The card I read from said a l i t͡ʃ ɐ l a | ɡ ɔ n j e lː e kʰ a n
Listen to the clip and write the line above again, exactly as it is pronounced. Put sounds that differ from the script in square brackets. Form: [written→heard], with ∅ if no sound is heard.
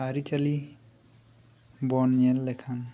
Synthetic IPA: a [l→ɾ] i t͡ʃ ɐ l [a→i] | [ɡ→b] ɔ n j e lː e kʰ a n